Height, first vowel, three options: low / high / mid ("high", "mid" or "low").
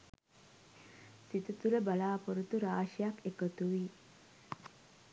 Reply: high